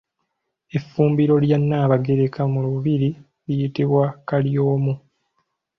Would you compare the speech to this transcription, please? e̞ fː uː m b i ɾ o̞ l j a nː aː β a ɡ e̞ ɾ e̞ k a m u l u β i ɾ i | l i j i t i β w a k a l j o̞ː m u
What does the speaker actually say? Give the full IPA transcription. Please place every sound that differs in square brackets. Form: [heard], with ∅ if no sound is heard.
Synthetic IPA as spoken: e̞ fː uː m b i ɾ o̞ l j a nː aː β a ɡ e̞ ɾ e̞ k a m u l u β i ɾ i | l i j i t i β w a k a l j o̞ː m u